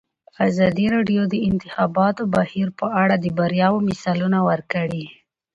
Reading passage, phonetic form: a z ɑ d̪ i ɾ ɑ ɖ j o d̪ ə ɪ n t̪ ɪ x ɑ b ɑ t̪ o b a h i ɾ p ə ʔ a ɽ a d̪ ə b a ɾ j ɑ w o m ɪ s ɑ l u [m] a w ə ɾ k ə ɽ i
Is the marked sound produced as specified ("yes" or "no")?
no